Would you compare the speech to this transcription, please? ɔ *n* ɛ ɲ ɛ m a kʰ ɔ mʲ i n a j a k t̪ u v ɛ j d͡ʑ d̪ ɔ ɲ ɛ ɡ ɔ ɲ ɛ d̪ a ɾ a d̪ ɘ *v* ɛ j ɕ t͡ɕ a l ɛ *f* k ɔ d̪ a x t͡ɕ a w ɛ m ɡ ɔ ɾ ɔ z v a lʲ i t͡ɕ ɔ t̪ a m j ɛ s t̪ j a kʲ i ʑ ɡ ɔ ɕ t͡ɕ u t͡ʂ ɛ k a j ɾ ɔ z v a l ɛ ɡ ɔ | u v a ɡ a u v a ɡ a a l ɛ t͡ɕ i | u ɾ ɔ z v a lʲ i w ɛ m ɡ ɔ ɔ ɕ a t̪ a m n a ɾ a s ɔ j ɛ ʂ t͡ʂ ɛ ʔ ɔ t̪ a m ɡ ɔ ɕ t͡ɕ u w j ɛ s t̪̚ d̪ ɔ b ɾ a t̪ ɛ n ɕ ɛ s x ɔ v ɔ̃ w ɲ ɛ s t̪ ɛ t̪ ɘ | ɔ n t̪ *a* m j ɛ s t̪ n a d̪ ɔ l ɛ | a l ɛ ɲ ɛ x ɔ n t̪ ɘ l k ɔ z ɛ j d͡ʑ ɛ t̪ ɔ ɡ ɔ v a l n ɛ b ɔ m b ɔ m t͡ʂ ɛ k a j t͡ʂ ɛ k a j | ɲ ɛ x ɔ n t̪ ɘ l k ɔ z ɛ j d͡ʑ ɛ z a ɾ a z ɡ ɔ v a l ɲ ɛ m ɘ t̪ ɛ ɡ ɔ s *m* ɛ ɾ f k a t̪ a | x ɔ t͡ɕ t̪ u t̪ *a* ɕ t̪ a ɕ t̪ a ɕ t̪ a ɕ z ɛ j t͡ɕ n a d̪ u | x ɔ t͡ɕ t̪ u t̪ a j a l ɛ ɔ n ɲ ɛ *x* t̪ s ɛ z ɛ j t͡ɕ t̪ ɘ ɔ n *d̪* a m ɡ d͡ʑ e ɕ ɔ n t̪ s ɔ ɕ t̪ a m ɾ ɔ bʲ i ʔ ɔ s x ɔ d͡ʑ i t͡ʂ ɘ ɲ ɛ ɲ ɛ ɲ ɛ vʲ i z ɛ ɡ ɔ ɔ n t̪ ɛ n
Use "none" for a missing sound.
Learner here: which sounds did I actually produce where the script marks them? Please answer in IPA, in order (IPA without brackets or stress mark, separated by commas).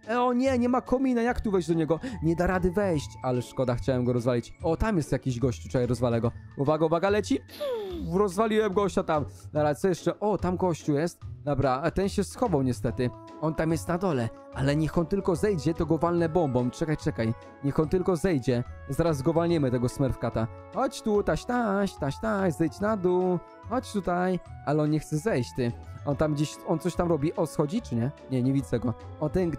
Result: ɲ, v, ʂ, a, m, a, x, t̪